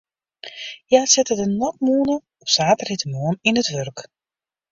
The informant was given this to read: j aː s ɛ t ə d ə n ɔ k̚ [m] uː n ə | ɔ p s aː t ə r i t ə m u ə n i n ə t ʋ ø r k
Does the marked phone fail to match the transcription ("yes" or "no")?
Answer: no